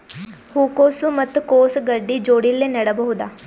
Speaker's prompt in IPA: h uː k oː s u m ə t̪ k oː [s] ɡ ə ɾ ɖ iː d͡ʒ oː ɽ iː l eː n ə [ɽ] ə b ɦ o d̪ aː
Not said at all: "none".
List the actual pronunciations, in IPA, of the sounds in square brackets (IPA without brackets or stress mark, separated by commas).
s, ɽ